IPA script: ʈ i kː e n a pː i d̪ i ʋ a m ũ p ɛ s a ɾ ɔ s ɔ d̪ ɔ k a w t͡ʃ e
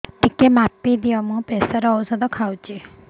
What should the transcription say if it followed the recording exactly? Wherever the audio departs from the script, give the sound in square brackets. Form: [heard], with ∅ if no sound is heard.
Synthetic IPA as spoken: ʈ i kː e [m] a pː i d̪ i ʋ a m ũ p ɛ s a ɾ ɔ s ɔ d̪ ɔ [kʰ] a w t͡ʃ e